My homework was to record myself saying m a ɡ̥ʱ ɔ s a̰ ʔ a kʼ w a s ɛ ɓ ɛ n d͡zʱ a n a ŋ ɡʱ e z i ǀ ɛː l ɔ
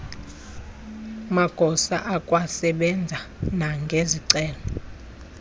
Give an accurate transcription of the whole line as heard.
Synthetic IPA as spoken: m a ɡ̥ʱ ɔ s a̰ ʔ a kʼ w a s ɛ ɓ ɛ n d͡zʱ a n a ŋ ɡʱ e z i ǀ ɛː l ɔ